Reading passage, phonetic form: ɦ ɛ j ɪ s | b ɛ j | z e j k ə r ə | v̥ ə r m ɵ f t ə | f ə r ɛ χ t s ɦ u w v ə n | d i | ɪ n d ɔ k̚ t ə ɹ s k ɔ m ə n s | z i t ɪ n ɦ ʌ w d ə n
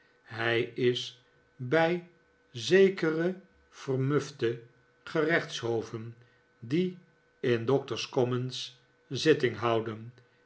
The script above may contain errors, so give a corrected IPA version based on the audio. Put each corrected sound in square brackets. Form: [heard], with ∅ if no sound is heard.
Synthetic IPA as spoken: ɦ ɛ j ɪ s | b ɛ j | z e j k ə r ə | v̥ ə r m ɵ f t ə | [χ] ə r ɛ χ t s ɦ [o] w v ə n | d i | ɪ n d ɔ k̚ t ə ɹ s k ɔ m ə n s | z [ɪ] t ɪ [ŋ] ɦ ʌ w d ə n